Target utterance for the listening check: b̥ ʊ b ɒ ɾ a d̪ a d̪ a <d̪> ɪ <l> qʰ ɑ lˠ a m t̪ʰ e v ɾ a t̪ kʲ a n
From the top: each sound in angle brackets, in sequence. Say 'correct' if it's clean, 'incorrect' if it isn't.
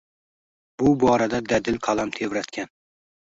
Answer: correct, correct

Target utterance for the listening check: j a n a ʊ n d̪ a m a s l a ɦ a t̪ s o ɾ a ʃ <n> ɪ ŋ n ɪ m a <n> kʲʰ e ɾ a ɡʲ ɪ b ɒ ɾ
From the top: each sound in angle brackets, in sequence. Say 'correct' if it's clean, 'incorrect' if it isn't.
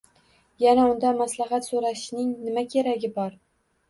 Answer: correct, incorrect

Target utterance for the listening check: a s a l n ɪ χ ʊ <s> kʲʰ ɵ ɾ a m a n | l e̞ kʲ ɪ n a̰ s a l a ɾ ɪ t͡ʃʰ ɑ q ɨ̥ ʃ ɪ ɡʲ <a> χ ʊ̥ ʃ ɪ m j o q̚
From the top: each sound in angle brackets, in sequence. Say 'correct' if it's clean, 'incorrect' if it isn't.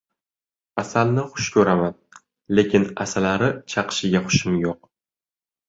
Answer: incorrect, correct

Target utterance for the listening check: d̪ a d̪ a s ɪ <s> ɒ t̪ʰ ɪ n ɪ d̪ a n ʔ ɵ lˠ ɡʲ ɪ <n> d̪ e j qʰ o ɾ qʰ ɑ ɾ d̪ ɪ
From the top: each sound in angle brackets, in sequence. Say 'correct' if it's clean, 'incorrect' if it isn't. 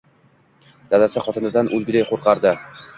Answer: incorrect, incorrect

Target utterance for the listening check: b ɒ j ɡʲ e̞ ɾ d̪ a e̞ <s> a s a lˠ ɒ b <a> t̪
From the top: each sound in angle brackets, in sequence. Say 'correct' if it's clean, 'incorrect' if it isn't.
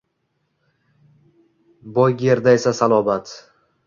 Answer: correct, correct

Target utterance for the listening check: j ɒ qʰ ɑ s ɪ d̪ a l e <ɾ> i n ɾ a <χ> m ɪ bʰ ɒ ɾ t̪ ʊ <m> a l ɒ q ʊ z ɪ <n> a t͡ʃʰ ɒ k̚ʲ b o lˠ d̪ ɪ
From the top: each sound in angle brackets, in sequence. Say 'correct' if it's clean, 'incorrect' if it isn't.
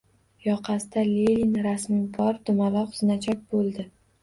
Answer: incorrect, incorrect, correct, correct

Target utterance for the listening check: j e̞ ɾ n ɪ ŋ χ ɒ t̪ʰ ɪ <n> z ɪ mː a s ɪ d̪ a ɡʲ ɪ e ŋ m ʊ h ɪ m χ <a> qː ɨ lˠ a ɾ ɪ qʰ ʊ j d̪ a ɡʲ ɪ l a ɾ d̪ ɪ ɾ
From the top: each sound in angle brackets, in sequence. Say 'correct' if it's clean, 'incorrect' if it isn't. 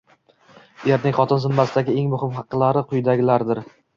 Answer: correct, incorrect

